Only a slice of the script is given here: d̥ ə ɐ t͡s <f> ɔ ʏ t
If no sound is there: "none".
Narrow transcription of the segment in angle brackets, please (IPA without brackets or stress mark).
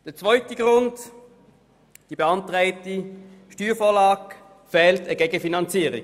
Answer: v